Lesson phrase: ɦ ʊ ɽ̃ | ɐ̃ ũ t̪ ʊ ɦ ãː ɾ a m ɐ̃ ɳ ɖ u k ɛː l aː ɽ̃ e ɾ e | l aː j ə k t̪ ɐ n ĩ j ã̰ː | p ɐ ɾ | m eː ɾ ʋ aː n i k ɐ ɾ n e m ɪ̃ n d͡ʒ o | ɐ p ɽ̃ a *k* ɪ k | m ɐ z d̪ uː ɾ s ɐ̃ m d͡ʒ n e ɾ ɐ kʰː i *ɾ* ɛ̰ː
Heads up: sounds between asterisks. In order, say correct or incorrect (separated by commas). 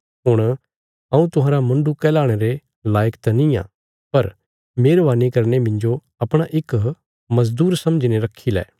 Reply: incorrect, incorrect